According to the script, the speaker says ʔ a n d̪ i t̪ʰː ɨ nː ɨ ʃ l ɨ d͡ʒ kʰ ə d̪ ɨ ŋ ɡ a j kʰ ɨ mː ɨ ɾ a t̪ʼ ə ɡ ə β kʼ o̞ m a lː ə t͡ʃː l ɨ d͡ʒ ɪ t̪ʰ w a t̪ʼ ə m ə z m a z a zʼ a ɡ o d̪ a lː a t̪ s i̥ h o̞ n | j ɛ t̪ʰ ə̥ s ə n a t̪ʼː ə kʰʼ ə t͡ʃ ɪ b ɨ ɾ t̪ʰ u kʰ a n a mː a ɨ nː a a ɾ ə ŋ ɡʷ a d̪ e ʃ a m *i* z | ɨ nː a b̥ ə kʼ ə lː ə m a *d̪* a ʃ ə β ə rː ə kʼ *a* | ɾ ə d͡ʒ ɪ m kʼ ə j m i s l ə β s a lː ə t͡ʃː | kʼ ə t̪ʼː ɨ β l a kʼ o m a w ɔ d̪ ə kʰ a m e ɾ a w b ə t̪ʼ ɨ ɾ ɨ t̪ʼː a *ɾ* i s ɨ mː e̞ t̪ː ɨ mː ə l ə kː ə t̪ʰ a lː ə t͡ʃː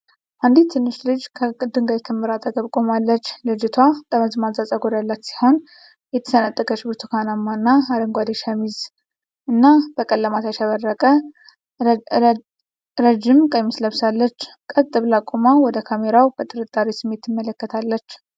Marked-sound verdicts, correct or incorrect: correct, incorrect: t̪, incorrect: ə, correct

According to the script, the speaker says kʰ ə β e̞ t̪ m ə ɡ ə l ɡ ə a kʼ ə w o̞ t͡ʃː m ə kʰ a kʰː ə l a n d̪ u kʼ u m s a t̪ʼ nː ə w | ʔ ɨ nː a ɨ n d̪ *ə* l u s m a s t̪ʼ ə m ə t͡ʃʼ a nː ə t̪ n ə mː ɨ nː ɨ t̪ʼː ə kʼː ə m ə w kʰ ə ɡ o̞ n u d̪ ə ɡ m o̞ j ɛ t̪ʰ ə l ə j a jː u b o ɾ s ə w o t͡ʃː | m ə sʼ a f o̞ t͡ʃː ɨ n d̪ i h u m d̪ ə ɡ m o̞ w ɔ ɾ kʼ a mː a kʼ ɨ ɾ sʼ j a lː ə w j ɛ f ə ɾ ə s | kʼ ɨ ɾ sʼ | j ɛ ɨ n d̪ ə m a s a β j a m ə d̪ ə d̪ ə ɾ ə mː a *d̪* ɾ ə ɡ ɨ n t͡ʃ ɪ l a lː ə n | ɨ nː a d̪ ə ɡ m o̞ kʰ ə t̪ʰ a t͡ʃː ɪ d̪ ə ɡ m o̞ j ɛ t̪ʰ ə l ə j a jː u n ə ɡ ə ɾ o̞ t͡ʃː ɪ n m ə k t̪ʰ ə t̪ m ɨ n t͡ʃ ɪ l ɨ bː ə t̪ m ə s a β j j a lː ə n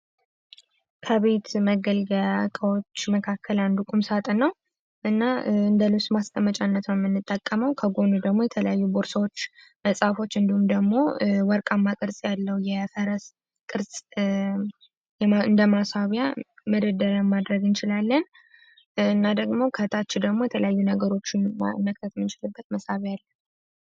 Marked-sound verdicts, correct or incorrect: correct, correct

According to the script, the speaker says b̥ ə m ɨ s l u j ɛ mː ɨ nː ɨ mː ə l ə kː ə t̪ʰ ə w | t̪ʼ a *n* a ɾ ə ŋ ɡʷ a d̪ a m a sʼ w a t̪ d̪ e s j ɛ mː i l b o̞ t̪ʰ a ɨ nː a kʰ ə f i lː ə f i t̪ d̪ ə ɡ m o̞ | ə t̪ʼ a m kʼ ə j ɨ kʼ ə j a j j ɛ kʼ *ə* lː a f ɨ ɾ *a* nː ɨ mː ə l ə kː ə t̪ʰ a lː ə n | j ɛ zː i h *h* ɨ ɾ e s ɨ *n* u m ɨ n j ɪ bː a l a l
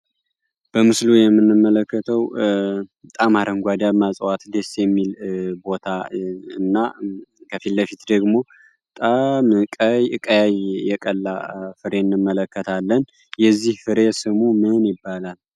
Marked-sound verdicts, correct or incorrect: incorrect: m, correct, incorrect: e, incorrect: f, incorrect: m

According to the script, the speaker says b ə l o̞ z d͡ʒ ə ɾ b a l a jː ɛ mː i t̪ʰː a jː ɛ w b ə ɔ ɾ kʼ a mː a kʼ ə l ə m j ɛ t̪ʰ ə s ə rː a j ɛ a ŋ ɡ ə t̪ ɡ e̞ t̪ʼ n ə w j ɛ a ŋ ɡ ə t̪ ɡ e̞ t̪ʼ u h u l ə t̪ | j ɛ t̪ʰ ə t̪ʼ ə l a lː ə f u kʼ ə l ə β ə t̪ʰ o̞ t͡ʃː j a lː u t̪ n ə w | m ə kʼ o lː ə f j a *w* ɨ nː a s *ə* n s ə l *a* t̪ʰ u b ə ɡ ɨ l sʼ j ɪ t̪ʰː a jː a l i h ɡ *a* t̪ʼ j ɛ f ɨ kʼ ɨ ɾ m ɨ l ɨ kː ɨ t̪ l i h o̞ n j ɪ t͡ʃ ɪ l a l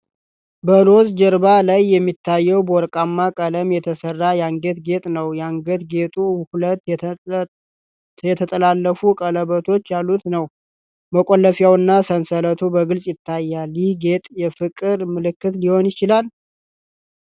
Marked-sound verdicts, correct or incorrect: correct, correct, incorrect: ə, incorrect: e

